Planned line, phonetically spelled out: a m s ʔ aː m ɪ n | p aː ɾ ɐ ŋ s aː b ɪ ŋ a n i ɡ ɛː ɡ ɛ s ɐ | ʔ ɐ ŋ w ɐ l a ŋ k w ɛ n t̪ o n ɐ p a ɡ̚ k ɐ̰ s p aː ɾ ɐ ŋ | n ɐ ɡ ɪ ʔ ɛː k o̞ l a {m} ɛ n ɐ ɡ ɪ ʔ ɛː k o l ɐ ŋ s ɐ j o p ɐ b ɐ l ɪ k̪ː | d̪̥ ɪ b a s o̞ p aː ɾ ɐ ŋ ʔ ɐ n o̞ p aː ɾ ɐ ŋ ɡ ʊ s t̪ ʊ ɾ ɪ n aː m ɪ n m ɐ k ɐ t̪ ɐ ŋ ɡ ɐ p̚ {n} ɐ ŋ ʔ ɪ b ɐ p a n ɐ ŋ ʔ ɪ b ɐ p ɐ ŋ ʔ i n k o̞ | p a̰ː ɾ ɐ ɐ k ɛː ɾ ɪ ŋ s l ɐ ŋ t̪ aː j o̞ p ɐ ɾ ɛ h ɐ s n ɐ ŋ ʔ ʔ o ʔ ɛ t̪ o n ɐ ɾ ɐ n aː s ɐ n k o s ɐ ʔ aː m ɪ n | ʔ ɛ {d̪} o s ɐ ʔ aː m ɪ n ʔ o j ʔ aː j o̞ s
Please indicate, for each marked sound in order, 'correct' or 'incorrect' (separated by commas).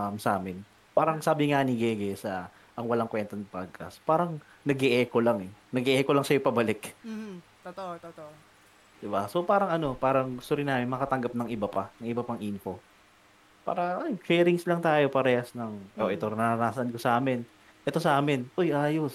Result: incorrect, correct, incorrect